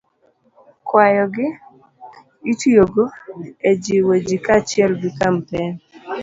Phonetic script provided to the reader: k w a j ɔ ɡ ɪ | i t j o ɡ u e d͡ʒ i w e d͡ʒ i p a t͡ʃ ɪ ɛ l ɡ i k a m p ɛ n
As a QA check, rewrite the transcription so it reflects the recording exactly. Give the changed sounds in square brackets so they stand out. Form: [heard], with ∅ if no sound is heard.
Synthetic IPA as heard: k w a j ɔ ɡ ɪ | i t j o ɡ [o] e d͡ʒ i w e d͡ʒ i [k] a t͡ʃ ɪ ɛ l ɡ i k a m p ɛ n